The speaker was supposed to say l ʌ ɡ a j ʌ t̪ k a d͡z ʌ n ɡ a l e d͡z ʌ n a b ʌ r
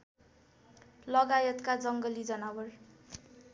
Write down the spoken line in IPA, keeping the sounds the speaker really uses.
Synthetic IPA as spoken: l ʌ ɡ a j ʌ t̪ k a d͡z ʌ ŋ ɡ ʌ l i d͡z ʌ n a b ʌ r